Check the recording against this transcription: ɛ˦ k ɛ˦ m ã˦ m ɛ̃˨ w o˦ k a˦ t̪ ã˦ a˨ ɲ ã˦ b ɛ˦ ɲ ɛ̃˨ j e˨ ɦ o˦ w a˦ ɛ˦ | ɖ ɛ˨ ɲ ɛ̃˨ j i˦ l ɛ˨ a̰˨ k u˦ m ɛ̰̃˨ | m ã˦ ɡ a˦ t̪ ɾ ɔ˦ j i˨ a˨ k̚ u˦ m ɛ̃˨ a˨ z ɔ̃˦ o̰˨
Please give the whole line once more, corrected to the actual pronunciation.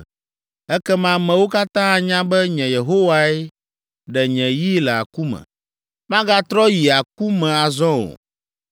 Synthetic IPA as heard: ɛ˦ k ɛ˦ m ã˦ m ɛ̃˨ w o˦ k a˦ t̪ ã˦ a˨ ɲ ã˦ b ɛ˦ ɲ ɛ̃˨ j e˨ ɦ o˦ w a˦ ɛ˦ | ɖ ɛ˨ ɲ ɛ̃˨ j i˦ l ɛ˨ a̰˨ k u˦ m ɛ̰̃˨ | m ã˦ ɡ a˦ t̪ ɾ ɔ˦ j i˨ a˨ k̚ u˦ m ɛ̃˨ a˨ z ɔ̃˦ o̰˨